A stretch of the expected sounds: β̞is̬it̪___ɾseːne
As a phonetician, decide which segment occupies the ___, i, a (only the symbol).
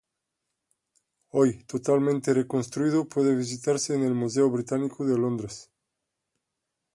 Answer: a